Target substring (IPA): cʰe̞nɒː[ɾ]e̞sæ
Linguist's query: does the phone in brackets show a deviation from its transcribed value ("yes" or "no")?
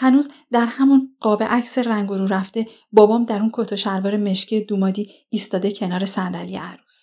no